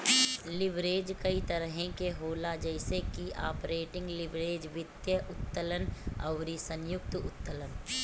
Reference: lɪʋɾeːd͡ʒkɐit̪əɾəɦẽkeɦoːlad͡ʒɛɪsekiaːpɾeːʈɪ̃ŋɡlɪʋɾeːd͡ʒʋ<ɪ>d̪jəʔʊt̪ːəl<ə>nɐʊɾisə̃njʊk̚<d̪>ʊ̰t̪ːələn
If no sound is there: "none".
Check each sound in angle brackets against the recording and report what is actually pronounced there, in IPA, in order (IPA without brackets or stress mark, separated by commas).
ɪ, ə, t̪